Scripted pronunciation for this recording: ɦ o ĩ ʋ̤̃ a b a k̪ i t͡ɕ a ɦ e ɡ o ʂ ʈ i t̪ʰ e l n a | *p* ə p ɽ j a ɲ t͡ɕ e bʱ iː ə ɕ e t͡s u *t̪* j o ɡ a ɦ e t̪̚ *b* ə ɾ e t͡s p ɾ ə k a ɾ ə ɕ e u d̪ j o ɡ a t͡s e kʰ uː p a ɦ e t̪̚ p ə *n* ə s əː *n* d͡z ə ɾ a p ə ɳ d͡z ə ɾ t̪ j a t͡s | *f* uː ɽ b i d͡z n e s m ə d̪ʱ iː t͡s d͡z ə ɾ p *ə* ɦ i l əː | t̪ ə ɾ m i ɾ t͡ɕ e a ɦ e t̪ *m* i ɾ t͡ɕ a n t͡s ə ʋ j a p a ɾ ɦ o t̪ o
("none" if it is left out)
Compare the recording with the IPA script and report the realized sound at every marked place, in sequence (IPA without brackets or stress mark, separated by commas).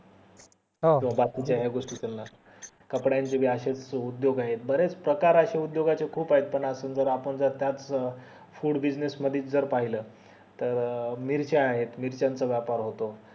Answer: k, d̪, b, ɳ, n, f, a, m